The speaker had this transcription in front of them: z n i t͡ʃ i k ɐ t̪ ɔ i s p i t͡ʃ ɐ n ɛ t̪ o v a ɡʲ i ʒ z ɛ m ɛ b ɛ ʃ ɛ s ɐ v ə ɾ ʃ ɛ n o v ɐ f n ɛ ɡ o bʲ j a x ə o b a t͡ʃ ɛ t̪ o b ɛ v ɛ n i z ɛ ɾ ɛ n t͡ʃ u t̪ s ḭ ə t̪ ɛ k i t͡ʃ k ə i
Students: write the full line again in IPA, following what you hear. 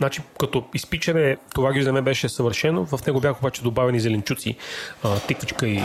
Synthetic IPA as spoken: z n a t͡ʃ i k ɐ t̪ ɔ i s p i t͡ʃ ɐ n ɛ t̪ o v a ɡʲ i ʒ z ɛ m ɛ b ɛ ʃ ɛ s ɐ v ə ɾ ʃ ɛ n o v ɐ f n ɛ ɡ o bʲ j a x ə o b a t͡ʃ ɛ d̪ o b a v ɛ n i z ɛ l ɛ n t͡ʃ u t̪ s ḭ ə t̪ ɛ k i t͡ʃ k ə i